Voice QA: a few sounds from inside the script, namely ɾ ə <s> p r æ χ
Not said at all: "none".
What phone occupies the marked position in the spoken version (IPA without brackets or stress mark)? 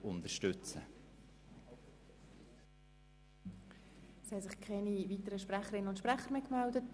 ʃ